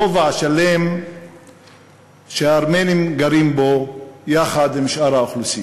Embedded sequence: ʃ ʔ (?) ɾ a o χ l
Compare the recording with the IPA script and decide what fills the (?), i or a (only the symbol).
a